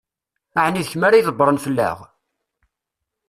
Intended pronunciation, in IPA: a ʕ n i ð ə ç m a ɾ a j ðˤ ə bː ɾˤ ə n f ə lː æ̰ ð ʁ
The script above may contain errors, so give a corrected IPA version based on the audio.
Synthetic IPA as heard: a ʕ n i ð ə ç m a ɾ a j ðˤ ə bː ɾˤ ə n f ə lː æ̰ ʁ